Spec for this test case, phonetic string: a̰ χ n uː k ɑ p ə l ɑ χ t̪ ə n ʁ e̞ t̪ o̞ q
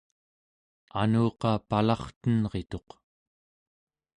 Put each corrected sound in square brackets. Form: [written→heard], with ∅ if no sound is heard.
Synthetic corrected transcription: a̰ [χ→∅] n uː [k→q] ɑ p [ə→a] l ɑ χ t̪ ə n ʁ e̞ t̪ o̞ q